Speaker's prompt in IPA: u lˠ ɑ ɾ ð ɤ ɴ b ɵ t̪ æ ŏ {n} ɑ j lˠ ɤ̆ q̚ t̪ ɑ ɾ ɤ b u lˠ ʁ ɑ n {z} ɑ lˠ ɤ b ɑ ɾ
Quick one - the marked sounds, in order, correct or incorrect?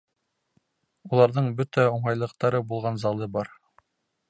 incorrect, correct

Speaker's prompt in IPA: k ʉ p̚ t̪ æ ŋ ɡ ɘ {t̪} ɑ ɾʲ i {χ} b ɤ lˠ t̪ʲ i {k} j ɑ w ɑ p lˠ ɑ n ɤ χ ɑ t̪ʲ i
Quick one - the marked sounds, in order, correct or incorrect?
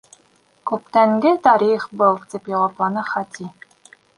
correct, correct, incorrect

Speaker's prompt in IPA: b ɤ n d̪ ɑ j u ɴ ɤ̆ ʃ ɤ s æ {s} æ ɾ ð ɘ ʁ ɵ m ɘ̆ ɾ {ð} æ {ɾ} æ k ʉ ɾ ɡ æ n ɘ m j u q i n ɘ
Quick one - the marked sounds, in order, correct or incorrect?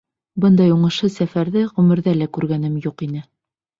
incorrect, correct, incorrect

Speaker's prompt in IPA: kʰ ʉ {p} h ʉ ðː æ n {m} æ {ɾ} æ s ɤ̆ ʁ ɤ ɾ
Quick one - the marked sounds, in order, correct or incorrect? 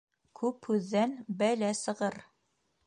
correct, incorrect, incorrect

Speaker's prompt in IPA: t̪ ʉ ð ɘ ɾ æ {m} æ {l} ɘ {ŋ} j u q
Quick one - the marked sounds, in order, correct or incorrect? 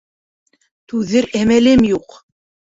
correct, correct, incorrect

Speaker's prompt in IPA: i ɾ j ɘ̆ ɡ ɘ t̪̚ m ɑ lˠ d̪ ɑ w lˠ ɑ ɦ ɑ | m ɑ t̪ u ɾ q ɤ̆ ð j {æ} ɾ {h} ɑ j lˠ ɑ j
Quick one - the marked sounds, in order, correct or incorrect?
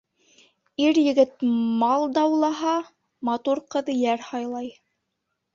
correct, correct

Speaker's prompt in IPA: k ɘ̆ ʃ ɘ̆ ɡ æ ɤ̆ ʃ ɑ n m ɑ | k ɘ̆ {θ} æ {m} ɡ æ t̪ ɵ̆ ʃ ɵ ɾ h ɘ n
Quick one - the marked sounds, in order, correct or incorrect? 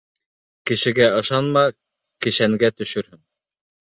incorrect, incorrect

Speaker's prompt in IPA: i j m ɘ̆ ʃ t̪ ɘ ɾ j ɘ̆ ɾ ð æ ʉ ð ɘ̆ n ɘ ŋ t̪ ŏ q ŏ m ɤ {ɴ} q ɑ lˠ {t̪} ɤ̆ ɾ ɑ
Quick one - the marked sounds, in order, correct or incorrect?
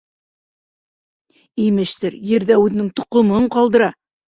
correct, incorrect

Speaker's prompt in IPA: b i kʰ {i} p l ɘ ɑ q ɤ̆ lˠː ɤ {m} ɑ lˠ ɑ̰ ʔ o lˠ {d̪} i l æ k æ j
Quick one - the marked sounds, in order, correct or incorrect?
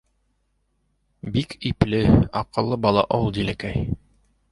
correct, incorrect, correct

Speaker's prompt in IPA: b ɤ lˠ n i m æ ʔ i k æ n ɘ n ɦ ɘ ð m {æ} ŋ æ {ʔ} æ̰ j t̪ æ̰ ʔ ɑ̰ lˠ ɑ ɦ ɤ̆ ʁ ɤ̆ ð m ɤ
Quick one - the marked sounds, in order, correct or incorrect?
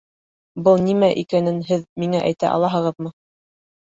incorrect, correct

